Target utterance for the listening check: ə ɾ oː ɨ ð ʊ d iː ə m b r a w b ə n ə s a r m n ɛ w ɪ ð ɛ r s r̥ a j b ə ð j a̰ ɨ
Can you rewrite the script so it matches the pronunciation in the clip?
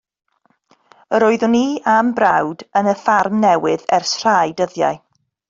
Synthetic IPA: ə ɾ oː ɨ ð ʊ n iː a m b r a w d ə n ə f a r m n ɛ w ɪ ð ɛ r s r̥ a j d ə ð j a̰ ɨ